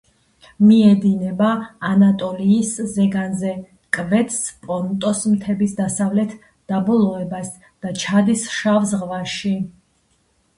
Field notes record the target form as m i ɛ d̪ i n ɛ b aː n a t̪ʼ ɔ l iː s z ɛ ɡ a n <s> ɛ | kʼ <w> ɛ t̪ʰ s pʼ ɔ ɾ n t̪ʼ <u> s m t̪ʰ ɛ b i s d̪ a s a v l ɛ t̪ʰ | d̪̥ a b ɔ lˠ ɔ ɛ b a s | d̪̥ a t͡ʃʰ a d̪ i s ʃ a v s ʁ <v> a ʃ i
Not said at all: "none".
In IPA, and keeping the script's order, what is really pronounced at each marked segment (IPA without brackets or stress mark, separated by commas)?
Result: z, v, ɔ, v